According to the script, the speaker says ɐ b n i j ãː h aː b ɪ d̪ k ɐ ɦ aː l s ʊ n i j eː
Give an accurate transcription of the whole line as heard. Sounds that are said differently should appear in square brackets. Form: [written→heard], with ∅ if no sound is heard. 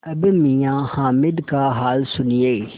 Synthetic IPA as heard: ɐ b [n→m] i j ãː h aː [b→m] ɪ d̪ k [ɐ→a] ɦ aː l s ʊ n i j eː

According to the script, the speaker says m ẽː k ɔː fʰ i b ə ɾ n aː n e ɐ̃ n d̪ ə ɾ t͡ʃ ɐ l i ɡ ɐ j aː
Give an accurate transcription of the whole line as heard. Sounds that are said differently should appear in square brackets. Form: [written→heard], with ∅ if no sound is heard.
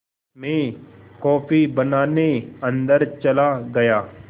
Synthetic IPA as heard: m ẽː k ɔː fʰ i b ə [ɾ→∅] n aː n e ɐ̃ n d̪ ə ɾ t͡ʃ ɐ l [i→a] ɡ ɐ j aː

